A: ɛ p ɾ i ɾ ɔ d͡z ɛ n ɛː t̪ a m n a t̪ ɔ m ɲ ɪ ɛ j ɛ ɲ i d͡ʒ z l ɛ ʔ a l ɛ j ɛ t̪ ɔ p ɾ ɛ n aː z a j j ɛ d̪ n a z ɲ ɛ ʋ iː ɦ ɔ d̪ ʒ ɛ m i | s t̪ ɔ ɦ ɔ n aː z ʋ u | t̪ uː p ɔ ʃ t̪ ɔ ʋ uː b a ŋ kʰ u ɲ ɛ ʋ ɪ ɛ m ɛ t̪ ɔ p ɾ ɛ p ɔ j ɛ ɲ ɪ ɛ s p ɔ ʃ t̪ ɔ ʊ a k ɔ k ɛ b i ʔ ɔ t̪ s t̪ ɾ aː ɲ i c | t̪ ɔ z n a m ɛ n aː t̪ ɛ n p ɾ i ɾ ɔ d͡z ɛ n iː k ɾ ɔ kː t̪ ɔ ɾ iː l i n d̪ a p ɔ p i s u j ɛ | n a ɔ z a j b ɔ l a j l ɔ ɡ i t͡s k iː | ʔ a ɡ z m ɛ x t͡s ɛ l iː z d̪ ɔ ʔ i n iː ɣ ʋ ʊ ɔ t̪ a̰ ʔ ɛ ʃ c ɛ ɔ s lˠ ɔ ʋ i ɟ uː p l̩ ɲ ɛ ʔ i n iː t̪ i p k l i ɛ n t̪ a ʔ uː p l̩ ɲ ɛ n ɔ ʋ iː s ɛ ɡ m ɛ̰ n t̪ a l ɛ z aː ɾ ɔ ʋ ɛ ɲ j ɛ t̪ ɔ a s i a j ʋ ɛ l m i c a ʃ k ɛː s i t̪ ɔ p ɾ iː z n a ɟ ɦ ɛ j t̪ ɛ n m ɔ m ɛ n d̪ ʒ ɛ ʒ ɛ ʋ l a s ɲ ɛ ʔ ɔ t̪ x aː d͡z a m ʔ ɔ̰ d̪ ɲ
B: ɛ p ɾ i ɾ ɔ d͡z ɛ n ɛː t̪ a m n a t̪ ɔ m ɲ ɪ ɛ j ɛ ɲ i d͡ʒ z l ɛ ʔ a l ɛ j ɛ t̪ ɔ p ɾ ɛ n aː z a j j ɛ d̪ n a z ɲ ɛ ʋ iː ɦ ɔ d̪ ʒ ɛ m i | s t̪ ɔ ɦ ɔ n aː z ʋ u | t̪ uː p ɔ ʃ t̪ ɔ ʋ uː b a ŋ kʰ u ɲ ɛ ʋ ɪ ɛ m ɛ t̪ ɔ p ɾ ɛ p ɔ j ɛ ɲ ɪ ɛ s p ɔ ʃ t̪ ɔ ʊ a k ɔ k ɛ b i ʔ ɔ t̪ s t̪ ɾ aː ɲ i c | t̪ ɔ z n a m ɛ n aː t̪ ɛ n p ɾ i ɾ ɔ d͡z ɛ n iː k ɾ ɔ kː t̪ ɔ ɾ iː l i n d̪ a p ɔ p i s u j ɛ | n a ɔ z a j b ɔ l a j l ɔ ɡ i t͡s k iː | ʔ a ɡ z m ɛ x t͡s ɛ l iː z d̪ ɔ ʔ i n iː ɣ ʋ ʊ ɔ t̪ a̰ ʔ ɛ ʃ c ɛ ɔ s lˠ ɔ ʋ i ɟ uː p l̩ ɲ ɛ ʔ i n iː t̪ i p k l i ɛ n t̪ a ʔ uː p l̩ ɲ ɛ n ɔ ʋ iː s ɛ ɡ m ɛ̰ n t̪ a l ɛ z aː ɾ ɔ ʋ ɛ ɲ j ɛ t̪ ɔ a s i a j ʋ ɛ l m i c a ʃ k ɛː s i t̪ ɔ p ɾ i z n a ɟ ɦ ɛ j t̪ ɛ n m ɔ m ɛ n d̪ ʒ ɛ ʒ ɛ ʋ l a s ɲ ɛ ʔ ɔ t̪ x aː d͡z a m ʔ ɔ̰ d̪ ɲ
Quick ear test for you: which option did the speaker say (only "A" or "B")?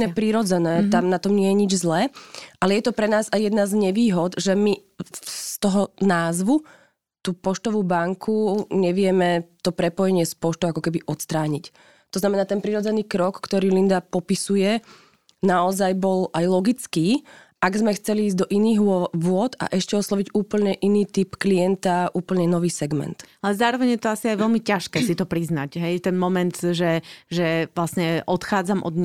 B